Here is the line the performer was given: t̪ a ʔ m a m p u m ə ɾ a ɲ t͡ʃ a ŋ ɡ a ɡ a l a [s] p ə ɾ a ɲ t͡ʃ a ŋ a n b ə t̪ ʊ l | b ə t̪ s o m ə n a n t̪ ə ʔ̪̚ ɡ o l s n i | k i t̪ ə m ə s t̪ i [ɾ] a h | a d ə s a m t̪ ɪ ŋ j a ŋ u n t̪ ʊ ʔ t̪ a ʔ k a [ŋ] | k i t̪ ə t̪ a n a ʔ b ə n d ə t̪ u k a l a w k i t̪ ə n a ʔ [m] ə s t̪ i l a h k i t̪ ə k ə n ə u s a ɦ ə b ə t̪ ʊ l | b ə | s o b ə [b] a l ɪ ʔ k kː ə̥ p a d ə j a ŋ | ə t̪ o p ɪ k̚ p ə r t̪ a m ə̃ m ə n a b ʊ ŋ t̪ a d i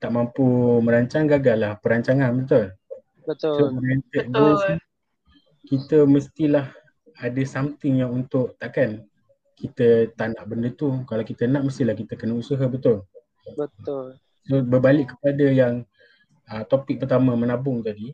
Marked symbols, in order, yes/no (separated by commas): no, no, no, yes, yes